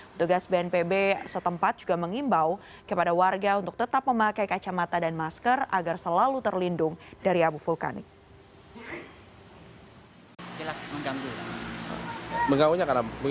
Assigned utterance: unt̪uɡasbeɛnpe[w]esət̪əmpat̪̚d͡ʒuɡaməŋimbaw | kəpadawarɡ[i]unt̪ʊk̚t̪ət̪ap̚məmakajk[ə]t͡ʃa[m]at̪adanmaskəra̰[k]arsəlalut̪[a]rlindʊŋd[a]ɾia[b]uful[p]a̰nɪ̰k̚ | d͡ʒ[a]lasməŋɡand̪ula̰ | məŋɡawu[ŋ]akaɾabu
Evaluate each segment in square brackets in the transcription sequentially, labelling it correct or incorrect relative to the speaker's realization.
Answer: incorrect: b, incorrect: a, incorrect: a, correct, incorrect: ɡ, incorrect: ə, correct, correct, incorrect: k, incorrect: ə, incorrect: ɲ

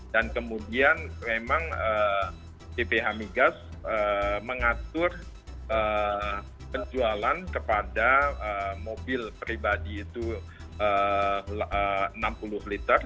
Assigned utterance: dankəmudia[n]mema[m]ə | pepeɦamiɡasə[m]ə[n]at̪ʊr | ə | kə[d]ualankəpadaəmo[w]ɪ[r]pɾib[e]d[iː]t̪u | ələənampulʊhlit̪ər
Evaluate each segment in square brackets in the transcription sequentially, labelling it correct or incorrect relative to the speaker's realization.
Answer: correct, incorrect: ŋ, correct, incorrect: ŋ, incorrect: d͡ʒ, incorrect: b, incorrect: l, incorrect: a, correct

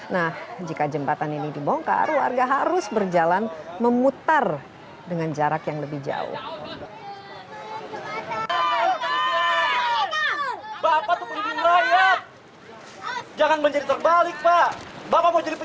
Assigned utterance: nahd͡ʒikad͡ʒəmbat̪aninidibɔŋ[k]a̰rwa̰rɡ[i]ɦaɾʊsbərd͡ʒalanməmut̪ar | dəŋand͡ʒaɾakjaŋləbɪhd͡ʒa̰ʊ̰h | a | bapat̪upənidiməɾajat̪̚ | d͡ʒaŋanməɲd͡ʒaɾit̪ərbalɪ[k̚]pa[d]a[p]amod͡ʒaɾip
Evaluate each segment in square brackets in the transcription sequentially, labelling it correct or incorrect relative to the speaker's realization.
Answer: correct, incorrect: a, correct, incorrect: b, correct

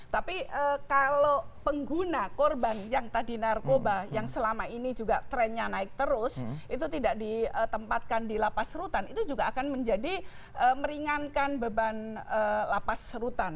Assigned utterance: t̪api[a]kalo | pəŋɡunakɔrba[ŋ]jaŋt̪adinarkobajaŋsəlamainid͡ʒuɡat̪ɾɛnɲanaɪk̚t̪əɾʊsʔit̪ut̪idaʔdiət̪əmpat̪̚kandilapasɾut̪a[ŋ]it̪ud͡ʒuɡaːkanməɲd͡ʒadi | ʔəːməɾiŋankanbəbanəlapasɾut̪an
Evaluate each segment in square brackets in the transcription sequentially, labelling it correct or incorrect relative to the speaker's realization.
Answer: incorrect: ə, incorrect: n, incorrect: n

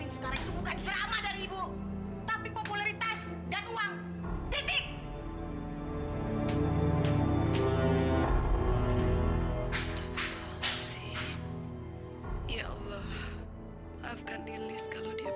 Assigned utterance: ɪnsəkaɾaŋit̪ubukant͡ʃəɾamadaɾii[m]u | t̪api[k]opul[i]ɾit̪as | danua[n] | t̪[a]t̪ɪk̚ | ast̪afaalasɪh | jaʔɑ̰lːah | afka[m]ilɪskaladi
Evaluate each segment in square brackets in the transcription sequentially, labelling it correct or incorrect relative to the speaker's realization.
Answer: incorrect: b, incorrect: p, incorrect: a, incorrect: ŋ, incorrect: i, incorrect: n

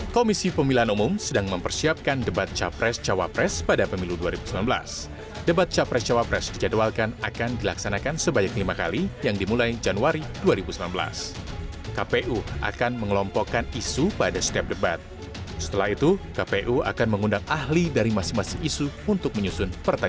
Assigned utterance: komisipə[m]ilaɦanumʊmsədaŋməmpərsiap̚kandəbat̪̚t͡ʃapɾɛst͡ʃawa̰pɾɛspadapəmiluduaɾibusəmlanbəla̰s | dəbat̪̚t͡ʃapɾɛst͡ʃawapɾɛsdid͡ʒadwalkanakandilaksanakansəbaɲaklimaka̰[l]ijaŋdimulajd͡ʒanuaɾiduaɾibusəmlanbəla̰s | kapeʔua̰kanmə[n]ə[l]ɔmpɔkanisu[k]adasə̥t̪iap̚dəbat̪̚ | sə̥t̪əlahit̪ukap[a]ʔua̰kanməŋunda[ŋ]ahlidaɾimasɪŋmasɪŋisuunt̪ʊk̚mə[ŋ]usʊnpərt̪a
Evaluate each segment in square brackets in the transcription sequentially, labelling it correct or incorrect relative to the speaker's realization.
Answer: correct, correct, incorrect: ŋ, correct, incorrect: p, incorrect: e, correct, incorrect: ɲ

